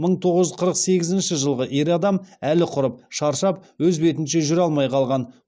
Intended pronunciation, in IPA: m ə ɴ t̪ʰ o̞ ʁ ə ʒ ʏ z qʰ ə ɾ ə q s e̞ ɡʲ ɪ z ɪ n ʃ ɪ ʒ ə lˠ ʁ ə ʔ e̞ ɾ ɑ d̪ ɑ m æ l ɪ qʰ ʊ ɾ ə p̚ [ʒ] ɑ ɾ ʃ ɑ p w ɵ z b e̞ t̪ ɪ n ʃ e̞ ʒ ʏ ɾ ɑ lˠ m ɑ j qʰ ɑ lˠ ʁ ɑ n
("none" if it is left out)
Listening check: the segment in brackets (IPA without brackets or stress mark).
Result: ʃ